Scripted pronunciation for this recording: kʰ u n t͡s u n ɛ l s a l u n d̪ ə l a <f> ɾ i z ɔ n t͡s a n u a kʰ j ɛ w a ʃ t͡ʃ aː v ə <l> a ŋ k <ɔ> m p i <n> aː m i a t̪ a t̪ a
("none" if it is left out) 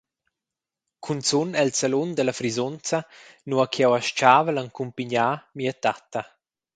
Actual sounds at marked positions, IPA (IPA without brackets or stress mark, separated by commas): f, l, u, ɲ